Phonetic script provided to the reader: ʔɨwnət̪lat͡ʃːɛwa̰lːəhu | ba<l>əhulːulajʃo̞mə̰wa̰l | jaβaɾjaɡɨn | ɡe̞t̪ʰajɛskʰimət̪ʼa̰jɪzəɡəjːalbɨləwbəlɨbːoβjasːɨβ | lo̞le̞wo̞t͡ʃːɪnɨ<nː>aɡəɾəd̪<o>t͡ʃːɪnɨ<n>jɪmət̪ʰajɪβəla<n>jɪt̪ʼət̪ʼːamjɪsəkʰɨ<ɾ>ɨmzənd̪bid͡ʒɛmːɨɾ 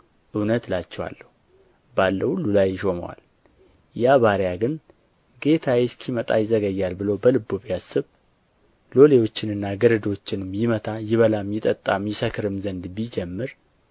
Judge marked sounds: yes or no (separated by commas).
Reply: no, yes, yes, no, no, yes